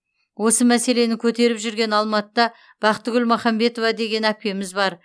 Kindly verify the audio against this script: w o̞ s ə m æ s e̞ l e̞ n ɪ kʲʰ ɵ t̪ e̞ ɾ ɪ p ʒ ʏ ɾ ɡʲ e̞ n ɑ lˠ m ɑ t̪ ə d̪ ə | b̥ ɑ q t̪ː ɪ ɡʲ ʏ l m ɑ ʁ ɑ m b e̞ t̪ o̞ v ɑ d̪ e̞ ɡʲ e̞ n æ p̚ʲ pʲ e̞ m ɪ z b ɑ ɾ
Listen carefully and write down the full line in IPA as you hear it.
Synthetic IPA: w o̞ s ə m æ s e̞ l e̞ n ɪ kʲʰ ɵ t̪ e̞ ɾ ɪ p ʒ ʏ ɾ ɡʲ e̞ n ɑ lˠ m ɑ t̪ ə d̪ ɑ | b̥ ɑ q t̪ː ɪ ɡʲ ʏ l m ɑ χ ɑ m b e̞ t̪ o̞ v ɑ d̪ e̞ ɡʲ e̞ n æ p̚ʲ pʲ e̞ m ɪ z b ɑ ɾ